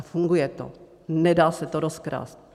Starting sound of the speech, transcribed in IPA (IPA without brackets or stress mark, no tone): f